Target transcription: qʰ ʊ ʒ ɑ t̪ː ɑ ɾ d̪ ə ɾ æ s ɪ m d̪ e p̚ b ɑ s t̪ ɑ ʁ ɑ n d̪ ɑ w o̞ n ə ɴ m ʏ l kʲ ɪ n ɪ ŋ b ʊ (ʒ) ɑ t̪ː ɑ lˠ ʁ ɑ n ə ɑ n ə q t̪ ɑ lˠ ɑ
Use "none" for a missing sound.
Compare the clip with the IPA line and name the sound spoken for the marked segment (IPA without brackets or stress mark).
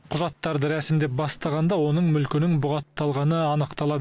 ʁ